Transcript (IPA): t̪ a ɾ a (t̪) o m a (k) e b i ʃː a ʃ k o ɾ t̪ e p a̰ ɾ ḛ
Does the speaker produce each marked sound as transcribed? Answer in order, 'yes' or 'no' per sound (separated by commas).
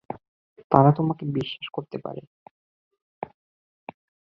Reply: yes, yes